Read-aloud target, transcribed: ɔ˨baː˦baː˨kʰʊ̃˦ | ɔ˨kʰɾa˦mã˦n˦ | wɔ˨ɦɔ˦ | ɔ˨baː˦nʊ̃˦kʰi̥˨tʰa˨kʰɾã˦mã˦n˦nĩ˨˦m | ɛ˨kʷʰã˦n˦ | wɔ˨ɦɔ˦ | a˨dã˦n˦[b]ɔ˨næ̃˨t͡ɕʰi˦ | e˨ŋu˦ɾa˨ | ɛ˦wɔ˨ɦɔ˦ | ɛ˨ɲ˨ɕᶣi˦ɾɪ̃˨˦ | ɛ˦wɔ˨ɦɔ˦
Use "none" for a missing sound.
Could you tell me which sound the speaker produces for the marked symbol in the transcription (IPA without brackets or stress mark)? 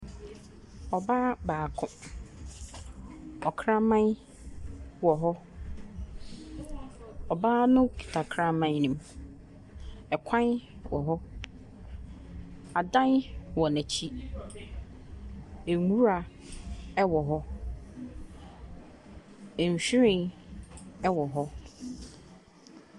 w